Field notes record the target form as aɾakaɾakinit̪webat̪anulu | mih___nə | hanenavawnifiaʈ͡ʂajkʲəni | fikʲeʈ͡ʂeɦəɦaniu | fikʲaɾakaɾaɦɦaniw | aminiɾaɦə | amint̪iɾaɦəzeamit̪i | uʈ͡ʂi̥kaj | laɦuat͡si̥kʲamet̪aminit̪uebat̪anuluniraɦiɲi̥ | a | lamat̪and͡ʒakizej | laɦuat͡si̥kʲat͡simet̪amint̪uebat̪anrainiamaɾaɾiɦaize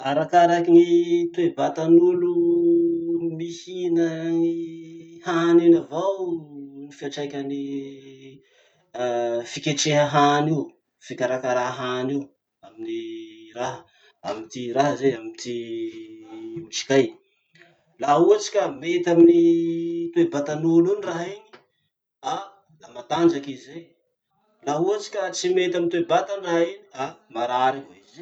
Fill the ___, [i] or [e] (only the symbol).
i